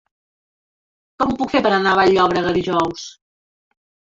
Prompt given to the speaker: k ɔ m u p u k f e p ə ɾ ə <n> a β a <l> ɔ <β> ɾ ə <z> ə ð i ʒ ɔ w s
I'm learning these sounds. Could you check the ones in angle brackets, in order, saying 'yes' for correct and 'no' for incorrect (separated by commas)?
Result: yes, no, yes, no